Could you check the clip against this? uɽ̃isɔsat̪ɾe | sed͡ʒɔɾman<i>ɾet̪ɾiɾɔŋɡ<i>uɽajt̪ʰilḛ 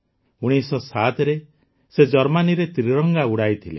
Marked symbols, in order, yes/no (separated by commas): yes, no